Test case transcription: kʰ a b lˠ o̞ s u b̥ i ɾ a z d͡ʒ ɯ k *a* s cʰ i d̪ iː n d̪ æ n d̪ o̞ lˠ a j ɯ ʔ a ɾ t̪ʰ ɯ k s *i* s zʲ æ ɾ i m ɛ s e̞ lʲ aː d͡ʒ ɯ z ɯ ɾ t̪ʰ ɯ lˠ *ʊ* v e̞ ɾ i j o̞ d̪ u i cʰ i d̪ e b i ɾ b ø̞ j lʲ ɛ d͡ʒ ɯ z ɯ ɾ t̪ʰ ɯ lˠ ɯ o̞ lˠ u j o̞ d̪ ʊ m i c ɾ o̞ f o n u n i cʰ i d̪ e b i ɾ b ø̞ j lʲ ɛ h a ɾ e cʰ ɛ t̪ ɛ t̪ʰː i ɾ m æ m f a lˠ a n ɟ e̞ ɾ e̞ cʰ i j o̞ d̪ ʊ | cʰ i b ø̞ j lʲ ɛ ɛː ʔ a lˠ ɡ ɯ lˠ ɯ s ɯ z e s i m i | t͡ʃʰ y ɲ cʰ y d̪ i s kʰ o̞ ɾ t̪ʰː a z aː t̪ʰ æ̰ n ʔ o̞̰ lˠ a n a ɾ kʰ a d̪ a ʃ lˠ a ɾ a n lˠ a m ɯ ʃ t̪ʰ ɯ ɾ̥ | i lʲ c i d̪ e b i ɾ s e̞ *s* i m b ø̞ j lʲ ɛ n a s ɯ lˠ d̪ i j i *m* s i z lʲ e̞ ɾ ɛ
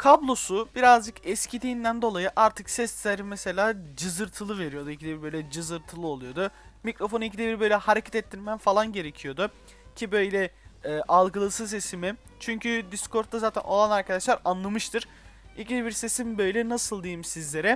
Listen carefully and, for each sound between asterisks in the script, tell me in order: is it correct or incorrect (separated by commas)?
incorrect, incorrect, incorrect, correct, correct